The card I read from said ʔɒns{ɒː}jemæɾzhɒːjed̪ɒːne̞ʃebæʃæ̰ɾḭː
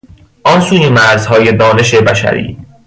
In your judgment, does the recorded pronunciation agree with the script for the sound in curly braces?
no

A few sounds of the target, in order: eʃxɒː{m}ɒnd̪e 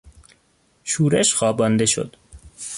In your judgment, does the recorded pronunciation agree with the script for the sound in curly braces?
no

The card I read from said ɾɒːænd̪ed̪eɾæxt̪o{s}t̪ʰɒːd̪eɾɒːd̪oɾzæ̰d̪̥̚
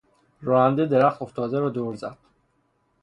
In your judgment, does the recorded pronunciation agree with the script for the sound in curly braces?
no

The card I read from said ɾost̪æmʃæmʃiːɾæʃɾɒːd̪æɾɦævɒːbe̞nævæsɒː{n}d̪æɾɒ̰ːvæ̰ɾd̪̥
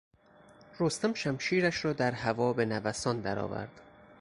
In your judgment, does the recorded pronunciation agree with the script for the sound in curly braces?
yes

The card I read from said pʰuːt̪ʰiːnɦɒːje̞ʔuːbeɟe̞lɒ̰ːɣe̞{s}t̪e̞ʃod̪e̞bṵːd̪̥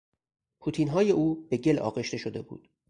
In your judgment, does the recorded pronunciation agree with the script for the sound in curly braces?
no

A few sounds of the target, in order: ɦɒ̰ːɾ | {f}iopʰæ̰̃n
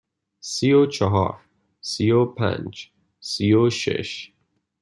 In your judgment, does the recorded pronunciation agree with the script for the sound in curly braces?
no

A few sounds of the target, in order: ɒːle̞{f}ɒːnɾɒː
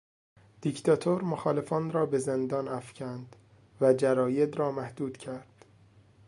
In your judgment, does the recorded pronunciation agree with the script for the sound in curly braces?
yes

